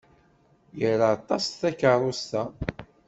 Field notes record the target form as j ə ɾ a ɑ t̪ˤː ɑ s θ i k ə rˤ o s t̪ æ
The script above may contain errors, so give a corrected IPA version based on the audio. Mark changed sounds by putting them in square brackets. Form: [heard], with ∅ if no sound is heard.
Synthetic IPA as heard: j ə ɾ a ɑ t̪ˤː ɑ s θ [æ] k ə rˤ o s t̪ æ